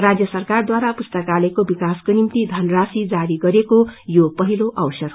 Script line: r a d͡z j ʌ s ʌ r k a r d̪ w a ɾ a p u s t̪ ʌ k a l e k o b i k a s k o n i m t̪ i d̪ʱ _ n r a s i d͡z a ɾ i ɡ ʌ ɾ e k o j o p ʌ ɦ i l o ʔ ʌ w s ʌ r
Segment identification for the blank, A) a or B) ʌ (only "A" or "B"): B